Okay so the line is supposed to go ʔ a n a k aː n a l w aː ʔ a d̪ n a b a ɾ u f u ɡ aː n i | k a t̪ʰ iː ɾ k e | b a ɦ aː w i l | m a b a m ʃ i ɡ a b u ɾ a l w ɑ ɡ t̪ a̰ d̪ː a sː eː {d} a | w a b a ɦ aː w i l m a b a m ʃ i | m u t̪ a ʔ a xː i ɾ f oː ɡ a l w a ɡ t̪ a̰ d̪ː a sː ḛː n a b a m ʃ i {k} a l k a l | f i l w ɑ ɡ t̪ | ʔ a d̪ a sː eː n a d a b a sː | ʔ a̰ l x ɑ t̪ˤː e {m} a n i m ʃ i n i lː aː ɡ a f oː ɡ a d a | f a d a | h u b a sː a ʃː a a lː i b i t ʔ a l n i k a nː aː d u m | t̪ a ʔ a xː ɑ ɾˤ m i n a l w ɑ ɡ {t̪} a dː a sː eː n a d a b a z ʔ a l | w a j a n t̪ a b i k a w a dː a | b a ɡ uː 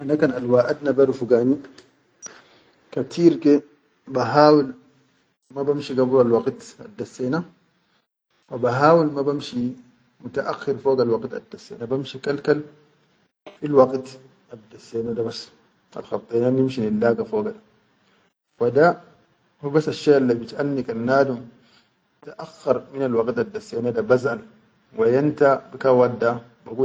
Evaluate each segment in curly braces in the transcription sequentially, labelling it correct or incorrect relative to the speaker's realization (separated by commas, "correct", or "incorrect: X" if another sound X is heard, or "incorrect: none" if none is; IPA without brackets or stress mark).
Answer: incorrect: n, correct, incorrect: n, correct